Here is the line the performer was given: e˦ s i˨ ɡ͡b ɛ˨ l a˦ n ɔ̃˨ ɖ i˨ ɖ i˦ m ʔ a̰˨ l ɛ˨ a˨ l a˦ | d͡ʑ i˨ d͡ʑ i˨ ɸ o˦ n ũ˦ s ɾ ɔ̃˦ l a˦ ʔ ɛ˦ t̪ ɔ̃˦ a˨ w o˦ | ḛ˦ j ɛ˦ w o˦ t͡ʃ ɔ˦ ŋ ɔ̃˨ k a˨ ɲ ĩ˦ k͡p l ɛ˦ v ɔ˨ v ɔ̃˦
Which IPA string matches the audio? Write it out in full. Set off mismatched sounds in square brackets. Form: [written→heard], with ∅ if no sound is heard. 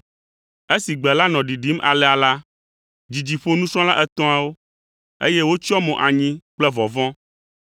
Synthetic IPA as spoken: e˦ s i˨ ɡ͡b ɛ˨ l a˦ n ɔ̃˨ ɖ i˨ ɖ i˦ m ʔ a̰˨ l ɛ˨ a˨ l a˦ | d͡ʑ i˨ d͡ʑ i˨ ɸ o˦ n ũ˦ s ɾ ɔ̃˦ l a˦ ʔ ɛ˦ t̪ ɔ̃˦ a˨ w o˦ | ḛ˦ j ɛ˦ w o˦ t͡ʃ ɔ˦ [ŋ→m] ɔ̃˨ [k→ʔ] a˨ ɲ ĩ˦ k͡p l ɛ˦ v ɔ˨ v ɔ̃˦